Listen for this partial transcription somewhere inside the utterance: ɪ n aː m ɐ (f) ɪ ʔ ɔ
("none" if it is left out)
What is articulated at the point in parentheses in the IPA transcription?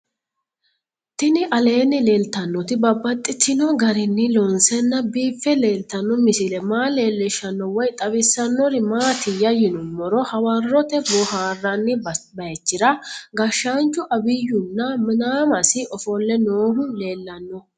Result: s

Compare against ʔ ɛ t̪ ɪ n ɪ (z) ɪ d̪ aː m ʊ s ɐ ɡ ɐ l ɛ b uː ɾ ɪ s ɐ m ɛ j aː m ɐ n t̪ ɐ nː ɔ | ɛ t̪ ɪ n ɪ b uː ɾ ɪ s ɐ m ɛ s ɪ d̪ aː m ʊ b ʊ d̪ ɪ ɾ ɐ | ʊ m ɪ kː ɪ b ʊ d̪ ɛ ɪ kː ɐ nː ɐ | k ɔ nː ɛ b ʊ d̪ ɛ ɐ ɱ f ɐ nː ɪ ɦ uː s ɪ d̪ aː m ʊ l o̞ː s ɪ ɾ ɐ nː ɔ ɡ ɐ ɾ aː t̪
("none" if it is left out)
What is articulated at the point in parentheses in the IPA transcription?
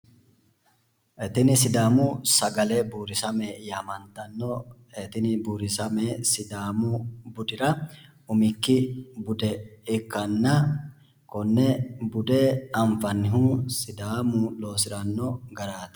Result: s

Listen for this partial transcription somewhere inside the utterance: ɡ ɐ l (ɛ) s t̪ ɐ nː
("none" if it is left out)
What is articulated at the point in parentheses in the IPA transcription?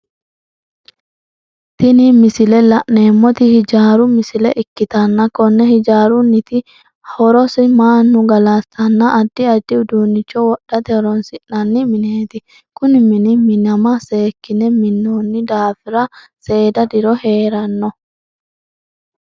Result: a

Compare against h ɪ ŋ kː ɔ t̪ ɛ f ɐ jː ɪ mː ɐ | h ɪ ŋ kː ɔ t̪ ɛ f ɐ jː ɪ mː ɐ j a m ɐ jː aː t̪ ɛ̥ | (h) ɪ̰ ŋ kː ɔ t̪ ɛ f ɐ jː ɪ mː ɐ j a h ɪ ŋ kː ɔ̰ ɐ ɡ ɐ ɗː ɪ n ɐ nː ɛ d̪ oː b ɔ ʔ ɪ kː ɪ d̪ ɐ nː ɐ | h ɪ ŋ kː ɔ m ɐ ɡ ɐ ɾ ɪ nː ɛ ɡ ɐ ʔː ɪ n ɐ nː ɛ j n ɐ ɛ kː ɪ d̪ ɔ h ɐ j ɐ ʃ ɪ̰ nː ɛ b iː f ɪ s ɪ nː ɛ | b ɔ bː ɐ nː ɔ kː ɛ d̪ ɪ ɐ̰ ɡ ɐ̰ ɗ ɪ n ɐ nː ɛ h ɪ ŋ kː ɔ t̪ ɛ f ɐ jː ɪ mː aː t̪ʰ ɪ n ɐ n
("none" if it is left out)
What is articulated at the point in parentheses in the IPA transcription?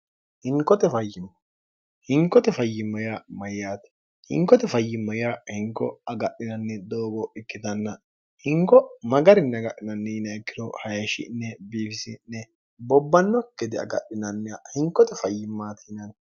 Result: h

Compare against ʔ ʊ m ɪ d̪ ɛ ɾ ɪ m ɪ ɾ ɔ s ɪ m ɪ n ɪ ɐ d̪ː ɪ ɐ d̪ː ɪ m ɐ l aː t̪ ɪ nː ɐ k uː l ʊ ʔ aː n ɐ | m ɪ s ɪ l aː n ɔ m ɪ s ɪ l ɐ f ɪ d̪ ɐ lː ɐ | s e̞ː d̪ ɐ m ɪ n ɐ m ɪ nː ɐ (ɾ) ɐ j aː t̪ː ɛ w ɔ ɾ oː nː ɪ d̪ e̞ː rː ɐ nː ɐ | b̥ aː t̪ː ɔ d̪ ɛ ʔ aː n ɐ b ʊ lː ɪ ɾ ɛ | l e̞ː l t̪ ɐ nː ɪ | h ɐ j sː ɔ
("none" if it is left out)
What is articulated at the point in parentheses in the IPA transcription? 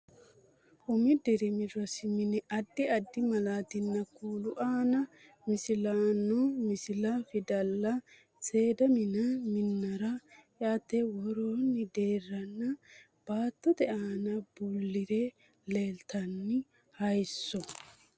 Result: ɾ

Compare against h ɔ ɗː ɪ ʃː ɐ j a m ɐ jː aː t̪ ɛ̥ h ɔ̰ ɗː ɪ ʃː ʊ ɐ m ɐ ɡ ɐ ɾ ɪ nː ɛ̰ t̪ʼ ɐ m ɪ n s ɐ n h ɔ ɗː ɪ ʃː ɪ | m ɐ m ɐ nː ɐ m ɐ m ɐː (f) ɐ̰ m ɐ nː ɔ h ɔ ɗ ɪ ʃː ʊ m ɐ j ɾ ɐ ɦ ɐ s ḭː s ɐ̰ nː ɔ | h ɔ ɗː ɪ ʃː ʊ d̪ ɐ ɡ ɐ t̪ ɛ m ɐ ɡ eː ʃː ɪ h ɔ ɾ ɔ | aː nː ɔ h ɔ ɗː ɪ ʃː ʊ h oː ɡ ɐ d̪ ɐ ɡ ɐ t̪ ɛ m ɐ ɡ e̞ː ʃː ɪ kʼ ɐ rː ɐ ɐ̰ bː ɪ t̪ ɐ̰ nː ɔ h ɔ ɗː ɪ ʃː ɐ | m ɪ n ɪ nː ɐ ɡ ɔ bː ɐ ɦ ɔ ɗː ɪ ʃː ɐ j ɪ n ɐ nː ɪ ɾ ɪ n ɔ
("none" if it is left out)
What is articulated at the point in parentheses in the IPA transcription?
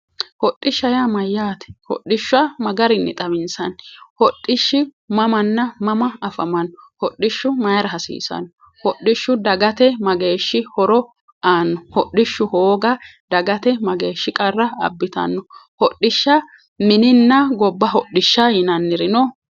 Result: f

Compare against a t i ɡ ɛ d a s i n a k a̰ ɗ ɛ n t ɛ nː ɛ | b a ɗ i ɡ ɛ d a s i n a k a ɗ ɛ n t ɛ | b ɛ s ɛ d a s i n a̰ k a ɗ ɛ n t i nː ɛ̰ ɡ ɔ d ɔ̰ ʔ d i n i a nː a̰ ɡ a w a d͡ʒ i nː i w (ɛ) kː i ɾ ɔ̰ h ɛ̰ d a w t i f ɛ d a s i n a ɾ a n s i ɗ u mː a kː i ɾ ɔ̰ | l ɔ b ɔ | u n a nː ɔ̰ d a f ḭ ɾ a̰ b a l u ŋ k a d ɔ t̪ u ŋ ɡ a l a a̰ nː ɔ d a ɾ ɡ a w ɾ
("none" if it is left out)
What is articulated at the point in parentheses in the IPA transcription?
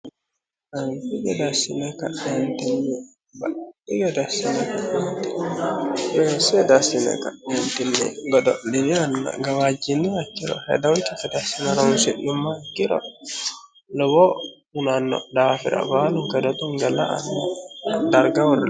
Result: a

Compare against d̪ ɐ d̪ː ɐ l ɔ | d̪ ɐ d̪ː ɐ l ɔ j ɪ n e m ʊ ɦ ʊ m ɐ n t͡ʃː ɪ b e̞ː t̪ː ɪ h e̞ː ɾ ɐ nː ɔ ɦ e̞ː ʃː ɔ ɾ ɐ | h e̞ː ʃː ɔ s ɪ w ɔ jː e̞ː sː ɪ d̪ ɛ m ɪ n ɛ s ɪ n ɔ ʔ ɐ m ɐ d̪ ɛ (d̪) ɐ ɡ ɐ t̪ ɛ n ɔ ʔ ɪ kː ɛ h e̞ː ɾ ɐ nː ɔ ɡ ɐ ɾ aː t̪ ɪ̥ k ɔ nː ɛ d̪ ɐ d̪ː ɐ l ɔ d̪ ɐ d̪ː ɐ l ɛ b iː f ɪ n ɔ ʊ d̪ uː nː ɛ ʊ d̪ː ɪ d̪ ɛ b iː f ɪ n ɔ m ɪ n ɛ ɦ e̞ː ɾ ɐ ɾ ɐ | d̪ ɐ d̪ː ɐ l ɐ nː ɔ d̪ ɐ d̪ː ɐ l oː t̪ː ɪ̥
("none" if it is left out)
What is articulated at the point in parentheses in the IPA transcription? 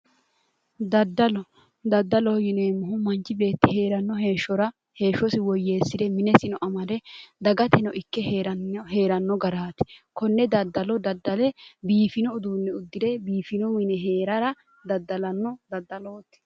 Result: d̪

